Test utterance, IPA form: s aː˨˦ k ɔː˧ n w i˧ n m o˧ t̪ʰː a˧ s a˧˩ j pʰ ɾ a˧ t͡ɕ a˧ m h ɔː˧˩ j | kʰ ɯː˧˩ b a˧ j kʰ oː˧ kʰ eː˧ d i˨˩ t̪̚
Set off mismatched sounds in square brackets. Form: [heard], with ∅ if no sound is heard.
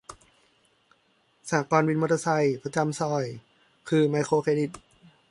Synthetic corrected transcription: s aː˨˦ k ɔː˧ n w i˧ n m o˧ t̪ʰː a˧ s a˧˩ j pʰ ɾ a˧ t͡ɕ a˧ m [s] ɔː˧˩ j | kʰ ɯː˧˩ [m] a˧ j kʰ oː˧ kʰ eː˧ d i˨˩ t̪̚